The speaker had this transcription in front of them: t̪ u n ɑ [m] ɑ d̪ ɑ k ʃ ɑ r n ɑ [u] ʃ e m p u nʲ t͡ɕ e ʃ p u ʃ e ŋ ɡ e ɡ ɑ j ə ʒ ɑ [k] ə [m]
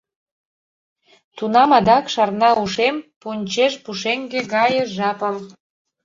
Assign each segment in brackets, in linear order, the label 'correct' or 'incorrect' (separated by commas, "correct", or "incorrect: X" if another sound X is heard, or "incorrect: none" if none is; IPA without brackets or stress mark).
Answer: correct, correct, incorrect: p, correct